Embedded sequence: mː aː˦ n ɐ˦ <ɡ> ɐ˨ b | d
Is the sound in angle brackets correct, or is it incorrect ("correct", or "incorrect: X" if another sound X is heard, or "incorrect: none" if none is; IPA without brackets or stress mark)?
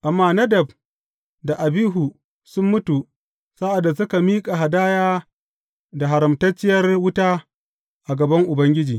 incorrect: d